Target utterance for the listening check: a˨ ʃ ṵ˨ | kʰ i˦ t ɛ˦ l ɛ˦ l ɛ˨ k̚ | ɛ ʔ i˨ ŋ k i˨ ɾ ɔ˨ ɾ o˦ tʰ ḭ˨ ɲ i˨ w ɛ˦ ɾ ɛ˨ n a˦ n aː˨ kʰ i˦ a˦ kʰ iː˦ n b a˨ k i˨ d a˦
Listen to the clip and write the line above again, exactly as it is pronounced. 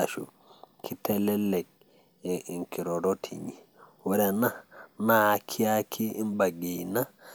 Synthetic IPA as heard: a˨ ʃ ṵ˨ | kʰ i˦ t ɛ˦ l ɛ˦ l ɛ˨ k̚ | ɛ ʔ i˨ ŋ k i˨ ɾ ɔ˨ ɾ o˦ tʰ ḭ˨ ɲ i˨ w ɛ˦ ɾ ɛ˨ n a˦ n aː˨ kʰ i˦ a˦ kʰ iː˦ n b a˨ ɡ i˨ n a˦